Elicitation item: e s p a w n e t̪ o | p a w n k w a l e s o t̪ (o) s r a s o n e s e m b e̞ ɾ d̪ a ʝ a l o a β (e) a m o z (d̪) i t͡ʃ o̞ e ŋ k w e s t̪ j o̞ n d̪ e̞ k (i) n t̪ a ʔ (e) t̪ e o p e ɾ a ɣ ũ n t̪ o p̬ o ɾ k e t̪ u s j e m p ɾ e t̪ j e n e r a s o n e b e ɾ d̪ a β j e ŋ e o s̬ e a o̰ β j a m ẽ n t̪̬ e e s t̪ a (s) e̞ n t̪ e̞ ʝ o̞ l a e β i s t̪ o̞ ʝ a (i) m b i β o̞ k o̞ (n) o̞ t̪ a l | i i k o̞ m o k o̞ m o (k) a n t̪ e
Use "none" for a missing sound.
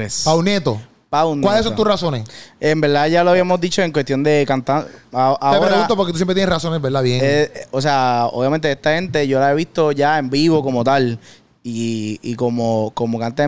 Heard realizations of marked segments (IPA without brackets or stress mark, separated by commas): u, i, d̪, a, a, h, e, m, k